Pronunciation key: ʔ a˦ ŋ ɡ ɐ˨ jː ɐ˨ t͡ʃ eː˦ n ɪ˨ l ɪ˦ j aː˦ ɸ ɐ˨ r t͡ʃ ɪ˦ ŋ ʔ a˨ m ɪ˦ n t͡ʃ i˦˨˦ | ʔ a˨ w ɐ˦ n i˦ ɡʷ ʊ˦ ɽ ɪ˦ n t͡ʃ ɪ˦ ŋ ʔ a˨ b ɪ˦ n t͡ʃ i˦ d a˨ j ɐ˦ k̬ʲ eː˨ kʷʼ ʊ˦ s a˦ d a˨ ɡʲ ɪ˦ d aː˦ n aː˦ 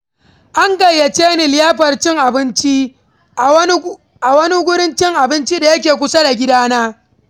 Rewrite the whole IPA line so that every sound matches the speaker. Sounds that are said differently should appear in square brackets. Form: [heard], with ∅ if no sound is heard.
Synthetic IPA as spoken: ʔ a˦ ŋ ɡ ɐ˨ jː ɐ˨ t͡ʃ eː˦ n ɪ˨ l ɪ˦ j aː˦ ɸ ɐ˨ r t͡ʃ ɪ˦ ŋ ʔ a˨ [b] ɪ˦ n t͡ʃ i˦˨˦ | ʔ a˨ w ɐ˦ n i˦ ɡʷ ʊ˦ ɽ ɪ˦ n t͡ʃ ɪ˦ ŋ ʔ a˨ b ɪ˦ n t͡ʃ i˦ d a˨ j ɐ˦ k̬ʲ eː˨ [kʷ] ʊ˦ s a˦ d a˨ ɡʲ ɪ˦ d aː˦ n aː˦